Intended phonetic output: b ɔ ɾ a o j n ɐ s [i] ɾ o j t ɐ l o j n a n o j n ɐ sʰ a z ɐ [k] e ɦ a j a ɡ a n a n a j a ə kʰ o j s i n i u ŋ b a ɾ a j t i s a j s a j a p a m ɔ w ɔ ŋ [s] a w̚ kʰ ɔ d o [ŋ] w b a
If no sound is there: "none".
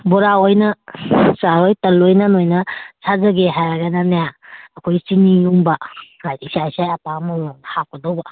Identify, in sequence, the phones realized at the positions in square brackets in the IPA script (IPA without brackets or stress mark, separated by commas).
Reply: a, ɡ, h, none